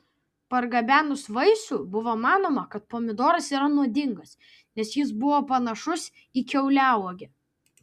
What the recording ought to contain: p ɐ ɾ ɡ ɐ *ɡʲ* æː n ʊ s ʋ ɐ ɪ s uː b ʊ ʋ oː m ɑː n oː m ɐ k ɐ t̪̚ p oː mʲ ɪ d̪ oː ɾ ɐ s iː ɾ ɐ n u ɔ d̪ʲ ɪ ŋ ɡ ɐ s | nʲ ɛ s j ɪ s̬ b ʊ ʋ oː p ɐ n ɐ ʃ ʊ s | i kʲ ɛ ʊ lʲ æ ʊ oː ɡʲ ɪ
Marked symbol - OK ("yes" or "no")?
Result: no